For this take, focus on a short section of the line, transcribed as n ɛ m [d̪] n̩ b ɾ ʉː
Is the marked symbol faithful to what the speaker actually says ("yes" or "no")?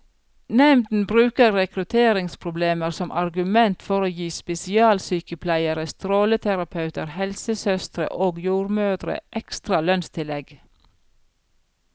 yes